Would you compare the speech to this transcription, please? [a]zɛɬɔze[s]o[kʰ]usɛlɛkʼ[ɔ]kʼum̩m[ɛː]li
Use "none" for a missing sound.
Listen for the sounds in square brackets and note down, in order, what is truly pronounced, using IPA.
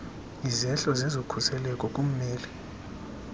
i, z, kʰ, ɔ, ɛː

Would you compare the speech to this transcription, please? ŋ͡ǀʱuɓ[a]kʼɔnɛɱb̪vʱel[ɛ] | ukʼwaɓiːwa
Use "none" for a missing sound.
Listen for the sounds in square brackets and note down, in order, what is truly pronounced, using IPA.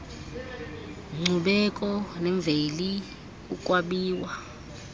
ɛ, i

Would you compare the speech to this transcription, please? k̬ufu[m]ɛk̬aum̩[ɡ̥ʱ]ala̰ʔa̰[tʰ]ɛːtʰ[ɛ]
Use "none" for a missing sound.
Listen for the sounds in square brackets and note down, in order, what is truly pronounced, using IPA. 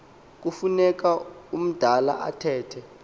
n, d̥ʱ, tʰ, ɛ

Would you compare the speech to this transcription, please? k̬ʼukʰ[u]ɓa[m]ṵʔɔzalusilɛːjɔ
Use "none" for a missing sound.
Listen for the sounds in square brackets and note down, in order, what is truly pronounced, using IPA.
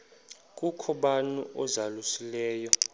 ɔ, n

